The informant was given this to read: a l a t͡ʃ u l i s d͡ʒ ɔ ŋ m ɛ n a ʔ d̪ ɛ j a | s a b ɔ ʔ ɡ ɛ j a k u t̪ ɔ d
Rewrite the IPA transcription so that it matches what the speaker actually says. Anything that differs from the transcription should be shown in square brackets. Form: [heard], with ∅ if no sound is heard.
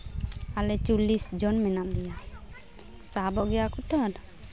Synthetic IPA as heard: a l [ɛ] t͡ʃ u l i s d͡ʒ ɔ [n] m ɛ n a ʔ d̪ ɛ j a | s a b ɔ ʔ ɡ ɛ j a k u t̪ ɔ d